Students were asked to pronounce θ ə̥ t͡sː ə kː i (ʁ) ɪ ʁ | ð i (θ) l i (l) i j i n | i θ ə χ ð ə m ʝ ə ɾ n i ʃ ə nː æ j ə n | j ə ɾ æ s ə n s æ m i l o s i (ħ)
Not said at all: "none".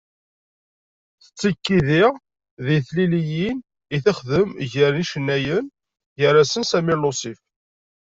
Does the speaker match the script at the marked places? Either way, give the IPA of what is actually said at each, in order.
ð, θ, l, f

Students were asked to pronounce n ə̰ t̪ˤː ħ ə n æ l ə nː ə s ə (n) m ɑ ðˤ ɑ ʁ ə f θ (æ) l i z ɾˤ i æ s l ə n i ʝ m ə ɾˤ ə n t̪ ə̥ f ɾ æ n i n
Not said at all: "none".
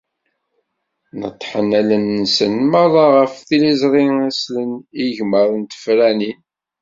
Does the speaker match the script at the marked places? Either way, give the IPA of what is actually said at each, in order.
n, i

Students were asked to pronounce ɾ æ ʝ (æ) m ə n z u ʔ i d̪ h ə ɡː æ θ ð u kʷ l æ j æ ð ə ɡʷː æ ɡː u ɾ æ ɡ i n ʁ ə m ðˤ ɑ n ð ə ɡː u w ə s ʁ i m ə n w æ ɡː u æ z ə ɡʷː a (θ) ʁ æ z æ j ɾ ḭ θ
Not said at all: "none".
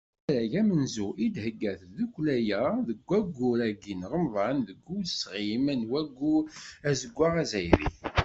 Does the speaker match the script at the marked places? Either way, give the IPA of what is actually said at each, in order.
æ, none

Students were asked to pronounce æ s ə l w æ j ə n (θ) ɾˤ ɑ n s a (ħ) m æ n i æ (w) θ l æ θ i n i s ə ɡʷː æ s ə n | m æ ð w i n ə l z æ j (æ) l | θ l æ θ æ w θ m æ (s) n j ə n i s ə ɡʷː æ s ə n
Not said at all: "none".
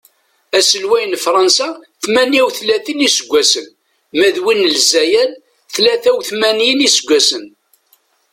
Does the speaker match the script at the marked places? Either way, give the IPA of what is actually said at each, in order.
f, θ, w, æ, none

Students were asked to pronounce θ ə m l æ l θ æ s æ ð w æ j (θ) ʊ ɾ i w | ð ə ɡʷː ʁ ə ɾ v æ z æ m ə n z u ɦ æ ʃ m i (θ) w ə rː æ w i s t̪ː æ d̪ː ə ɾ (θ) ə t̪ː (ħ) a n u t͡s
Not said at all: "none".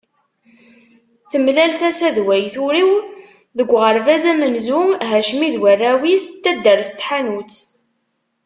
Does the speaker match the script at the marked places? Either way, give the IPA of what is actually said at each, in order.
θ, ð, θ, ħ

